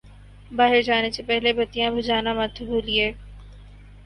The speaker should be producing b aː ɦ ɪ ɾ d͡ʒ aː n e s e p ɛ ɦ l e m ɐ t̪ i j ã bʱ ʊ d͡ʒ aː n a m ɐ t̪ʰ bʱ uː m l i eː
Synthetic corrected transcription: b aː ɦ ɪ ɾ d͡ʒ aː n e s e p ɛ ɦ l e b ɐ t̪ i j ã bʱ ʊ d͡ʒ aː n a m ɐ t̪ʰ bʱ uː l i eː